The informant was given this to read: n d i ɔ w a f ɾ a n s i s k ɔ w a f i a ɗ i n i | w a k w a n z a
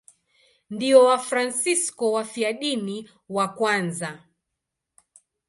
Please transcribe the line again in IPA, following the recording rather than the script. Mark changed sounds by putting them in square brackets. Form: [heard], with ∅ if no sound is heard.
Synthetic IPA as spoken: n d i ɔ w a f ɾ a n s i s k ɔ w a f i a ɗ i n i | w a k w a n z a